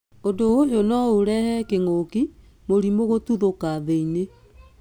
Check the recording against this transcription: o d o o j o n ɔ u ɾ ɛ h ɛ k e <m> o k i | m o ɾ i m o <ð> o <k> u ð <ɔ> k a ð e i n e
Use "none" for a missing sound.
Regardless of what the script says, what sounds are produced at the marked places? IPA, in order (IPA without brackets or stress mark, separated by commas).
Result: ŋ, ɣ, t, o